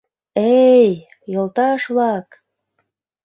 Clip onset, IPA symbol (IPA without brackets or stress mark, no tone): e